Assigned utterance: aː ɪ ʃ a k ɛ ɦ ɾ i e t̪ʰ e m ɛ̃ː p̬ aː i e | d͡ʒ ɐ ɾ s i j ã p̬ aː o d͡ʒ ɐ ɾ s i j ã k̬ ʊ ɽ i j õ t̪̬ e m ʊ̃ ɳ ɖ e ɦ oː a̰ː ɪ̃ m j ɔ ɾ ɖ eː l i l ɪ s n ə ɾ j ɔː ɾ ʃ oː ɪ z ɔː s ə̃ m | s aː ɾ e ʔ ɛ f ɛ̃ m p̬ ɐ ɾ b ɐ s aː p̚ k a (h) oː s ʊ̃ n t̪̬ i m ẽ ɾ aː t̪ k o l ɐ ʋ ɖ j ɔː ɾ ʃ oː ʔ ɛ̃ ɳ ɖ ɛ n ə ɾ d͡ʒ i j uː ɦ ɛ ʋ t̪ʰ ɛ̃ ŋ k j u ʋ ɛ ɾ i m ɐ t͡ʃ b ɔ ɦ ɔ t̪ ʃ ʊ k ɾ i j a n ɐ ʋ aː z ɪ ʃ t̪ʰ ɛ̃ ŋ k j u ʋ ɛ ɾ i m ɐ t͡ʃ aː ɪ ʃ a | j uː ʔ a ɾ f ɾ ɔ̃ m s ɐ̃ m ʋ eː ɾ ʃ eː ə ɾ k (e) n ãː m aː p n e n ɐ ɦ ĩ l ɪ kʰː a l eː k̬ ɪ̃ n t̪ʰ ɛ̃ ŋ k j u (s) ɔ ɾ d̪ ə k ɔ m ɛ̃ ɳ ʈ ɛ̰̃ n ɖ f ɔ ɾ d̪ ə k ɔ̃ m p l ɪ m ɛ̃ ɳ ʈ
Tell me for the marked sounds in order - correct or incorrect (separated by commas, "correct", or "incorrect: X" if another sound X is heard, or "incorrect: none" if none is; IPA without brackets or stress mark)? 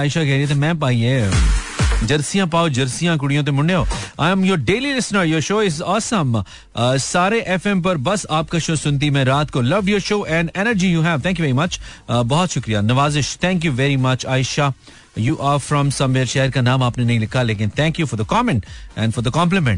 incorrect: ʃ, incorrect: a, incorrect: f